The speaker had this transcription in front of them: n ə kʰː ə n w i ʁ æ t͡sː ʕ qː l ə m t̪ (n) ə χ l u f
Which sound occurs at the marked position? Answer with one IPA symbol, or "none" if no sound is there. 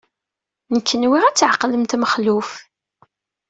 m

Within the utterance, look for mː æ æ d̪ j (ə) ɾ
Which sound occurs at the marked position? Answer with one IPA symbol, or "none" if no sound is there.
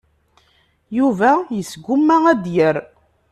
ə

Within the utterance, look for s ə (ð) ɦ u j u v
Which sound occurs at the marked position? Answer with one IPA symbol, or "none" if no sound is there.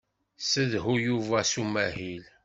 ð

